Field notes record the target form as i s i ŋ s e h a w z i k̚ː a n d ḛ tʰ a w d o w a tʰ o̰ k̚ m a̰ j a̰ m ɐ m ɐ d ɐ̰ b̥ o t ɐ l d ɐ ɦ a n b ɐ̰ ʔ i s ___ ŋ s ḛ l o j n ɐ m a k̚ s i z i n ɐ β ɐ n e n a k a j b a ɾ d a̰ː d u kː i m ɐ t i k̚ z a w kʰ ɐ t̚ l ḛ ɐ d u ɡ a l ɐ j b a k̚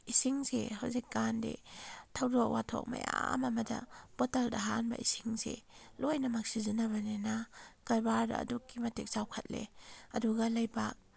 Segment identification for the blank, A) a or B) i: B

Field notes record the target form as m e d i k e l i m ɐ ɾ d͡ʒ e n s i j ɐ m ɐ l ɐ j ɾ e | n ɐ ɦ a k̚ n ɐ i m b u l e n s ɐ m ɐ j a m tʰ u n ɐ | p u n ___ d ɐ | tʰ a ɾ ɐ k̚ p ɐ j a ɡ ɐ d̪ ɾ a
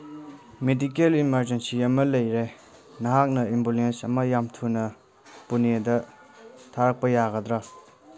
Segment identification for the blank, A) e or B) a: A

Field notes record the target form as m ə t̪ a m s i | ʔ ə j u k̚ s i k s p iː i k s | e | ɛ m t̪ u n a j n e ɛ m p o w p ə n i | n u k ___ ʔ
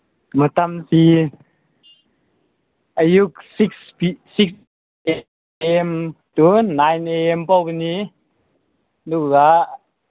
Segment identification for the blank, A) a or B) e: A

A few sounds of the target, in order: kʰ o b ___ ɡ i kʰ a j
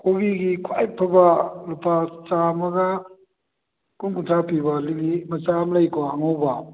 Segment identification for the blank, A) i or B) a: A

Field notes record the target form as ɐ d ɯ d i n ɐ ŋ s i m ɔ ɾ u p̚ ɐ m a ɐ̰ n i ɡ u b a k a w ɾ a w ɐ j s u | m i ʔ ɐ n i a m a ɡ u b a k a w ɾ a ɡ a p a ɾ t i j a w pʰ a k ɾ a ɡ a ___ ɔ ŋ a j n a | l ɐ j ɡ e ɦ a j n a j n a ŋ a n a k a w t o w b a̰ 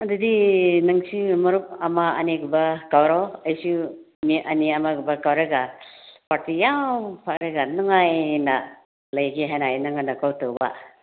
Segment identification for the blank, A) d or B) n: B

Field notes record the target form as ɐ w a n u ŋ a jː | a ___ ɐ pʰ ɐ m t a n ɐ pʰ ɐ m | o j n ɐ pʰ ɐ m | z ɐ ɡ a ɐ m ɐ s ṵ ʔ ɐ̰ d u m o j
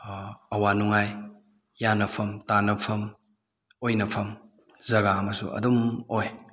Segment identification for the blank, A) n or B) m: A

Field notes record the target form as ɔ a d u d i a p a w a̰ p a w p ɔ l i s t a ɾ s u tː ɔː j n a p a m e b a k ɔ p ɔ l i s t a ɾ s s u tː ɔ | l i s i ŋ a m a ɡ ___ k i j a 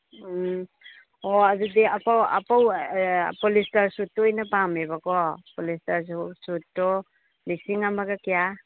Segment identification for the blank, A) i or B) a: B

